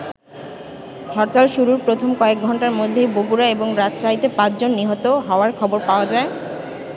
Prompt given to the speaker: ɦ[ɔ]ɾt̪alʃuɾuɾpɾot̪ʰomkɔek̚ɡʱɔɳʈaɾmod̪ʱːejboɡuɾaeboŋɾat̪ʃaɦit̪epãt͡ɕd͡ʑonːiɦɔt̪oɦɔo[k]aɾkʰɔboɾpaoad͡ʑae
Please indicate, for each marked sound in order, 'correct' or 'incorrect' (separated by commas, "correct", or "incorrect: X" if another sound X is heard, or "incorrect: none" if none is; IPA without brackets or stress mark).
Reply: correct, incorrect: none